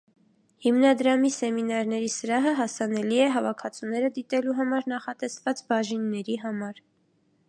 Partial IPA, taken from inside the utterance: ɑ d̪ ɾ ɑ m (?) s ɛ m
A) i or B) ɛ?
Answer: A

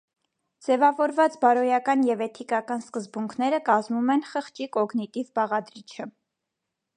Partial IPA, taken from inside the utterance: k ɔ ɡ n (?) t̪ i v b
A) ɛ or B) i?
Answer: B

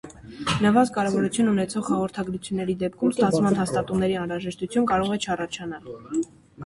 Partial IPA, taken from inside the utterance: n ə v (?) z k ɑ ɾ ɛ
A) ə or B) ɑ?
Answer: B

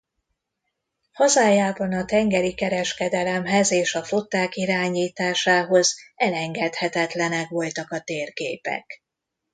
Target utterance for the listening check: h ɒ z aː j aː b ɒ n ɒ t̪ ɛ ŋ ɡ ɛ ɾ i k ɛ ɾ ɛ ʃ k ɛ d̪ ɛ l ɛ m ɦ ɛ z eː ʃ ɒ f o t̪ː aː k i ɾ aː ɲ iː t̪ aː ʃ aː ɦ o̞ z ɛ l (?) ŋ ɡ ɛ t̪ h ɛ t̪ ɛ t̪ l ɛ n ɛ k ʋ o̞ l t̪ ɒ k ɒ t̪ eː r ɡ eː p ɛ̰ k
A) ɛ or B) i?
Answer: A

